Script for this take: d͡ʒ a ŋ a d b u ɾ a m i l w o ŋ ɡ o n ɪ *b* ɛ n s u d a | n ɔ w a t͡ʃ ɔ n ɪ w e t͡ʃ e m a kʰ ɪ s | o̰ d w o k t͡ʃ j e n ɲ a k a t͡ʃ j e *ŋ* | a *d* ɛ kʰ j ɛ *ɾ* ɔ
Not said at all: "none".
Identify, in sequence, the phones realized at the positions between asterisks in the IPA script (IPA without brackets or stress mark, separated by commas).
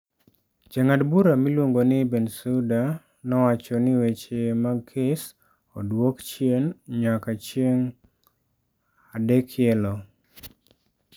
b, ŋ, d, l